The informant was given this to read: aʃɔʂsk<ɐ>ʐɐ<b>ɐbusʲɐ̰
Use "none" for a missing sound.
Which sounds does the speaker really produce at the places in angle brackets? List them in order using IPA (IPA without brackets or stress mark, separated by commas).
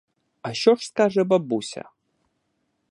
a, b